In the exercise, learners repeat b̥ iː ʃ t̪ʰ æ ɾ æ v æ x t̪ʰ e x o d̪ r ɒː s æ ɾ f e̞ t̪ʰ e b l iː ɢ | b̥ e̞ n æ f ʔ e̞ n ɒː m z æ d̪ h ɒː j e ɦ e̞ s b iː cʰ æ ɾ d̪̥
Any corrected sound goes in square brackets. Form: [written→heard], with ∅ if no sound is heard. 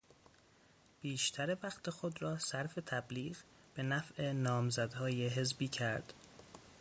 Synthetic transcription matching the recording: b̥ iː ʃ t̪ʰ æ ɾ [æ→e] v æ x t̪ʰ e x o d̪ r ɒː s æ ɾ f e̞ t̪ʰ [e→æ] b l iː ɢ | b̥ e̞ n æ f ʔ e̞ n ɒː m z æ d̪ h ɒː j e ɦ e̞ [s→z] b iː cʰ æ ɾ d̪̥